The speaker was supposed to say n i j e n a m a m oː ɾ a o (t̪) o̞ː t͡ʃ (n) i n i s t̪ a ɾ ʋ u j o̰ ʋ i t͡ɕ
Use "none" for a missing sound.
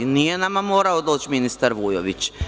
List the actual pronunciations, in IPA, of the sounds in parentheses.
d̪, m

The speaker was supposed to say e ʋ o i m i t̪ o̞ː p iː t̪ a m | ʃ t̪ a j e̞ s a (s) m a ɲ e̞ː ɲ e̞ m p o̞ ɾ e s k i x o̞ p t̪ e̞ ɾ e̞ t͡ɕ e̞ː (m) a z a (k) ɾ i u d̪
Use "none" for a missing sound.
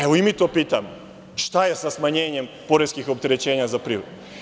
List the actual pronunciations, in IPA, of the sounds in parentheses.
s, ɲ, p

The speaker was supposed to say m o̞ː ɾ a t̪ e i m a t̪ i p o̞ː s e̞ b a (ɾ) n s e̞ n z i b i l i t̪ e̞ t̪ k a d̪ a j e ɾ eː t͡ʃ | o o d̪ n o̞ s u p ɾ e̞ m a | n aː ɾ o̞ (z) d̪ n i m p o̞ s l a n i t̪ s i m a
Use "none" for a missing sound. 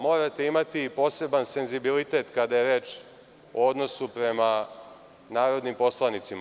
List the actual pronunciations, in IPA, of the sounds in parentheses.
none, none

